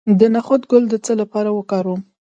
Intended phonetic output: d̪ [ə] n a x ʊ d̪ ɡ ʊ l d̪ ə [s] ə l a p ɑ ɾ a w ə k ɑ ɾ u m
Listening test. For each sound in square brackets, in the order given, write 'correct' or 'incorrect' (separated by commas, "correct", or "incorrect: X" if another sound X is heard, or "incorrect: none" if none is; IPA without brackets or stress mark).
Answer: correct, incorrect: t͡s